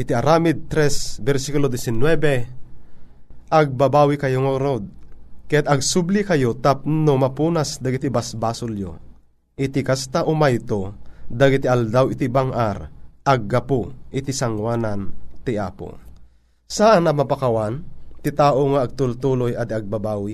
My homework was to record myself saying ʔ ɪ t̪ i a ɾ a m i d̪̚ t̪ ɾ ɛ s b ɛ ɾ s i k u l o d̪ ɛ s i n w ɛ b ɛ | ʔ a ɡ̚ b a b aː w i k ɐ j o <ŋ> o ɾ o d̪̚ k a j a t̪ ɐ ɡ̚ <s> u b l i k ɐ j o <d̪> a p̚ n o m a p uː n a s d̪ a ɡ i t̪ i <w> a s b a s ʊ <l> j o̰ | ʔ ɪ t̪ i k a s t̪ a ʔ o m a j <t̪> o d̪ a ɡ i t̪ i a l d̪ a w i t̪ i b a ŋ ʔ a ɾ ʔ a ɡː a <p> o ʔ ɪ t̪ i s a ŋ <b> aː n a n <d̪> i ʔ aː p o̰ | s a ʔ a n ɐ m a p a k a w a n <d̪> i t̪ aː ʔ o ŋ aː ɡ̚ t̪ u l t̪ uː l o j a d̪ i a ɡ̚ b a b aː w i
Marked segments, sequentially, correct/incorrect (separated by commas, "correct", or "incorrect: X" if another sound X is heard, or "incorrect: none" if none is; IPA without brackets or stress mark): correct, correct, incorrect: t̪, incorrect: b, correct, correct, correct, incorrect: w, incorrect: t̪, incorrect: t̪